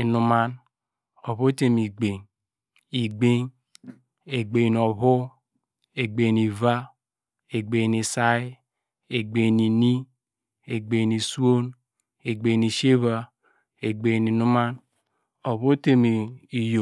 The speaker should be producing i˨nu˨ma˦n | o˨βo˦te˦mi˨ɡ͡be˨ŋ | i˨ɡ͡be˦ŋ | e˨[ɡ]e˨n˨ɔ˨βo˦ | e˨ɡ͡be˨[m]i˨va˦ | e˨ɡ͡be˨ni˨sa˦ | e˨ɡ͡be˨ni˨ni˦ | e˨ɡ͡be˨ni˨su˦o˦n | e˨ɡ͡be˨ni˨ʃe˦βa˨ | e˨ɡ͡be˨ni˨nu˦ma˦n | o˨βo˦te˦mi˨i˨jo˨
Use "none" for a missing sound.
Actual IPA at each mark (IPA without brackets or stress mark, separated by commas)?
ɡ͡b, n